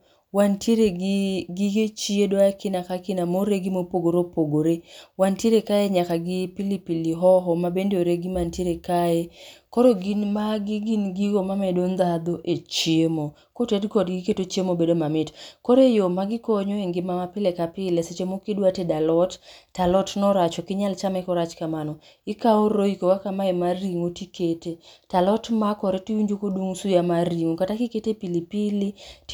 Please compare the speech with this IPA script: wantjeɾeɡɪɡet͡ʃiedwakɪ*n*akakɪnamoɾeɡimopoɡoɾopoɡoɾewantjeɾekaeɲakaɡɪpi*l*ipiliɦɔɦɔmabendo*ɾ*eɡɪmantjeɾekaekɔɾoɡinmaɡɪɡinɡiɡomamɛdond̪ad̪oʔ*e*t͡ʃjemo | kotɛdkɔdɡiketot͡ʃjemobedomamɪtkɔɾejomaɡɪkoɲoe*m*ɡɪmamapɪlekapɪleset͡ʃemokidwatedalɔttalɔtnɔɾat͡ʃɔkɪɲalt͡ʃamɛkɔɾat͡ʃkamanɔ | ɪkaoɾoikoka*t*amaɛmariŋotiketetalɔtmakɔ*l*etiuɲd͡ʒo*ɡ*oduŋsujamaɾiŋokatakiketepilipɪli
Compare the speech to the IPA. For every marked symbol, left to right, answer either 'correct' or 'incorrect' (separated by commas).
correct, correct, correct, correct, incorrect, incorrect, incorrect, incorrect